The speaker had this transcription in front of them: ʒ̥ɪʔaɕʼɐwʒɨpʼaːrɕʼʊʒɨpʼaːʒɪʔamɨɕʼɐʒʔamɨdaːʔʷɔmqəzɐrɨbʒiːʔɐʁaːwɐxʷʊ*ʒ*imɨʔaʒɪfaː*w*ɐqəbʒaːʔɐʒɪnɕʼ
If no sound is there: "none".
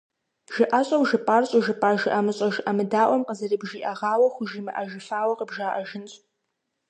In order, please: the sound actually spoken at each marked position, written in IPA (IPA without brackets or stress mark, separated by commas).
ʒ, w